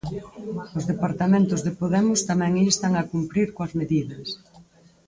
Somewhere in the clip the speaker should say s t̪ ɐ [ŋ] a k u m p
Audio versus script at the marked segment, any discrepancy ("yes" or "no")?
no